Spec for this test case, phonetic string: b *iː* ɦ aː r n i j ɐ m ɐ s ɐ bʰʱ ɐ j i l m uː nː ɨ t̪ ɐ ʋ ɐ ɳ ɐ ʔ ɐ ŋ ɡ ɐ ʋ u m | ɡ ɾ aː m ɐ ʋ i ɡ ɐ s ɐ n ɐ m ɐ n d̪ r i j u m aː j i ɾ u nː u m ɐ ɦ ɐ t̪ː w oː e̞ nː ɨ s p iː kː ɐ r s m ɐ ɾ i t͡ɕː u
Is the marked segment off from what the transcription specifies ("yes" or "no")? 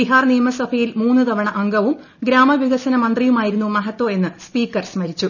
yes